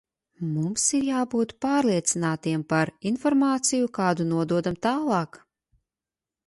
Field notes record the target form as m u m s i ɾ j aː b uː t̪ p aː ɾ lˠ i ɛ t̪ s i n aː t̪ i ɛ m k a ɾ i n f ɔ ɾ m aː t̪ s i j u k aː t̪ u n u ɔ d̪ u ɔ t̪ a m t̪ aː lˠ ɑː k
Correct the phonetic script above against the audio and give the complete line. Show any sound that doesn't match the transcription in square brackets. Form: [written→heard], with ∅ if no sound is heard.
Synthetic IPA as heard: m u m s i ɾ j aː b uː t̪ p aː ɾ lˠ i ɛ t̪ s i n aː t̪ i ɛ m [k→p] a ɾ i n f ɔ ɾ m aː t̪ s i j u k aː [t̪→d̪] u n u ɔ d̪ u ɔ [t̪→d̪] a m t̪ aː lˠ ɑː k